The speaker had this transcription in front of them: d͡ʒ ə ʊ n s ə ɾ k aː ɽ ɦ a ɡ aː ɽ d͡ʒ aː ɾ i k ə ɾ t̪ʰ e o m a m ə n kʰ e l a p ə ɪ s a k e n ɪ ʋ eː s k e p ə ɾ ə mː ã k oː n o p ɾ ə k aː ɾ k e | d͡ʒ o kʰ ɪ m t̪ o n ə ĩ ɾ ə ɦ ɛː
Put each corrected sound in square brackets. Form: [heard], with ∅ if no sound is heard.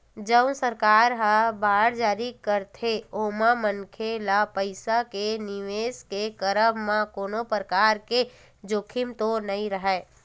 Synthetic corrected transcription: d͡ʒ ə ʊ n s ə ɾ k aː [ɾ] ɦ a [b] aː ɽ d͡ʒ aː ɾ i k ə ɾ t̪ʰ e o m a m ə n kʰ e l a p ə ɪ s a k e n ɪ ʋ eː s k e [k] ə ɾ ə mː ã k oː n o p ɾ ə k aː ɾ k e | d͡ʒ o kʰ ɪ m t̪ o n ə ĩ ɾ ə ɦ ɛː